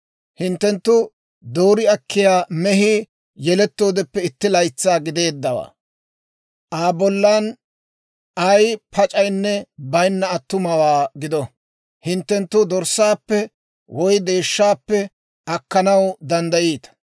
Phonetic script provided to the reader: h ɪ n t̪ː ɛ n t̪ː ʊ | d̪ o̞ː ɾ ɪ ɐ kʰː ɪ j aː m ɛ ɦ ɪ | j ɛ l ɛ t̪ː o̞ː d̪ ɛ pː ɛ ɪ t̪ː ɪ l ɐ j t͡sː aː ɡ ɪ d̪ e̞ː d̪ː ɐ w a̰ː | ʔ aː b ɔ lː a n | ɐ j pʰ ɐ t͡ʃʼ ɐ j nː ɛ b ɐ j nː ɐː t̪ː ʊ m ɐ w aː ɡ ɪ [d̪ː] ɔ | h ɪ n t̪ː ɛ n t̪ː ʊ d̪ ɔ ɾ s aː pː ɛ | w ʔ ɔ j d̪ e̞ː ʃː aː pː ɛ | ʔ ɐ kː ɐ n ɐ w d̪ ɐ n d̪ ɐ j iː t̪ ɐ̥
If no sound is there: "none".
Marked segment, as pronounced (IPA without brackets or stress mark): d̪